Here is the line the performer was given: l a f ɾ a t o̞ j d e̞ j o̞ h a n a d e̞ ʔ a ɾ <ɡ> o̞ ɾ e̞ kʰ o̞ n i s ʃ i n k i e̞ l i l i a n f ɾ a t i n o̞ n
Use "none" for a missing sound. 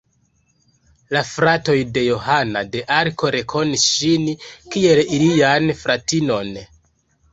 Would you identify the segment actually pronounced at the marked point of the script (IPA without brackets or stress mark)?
k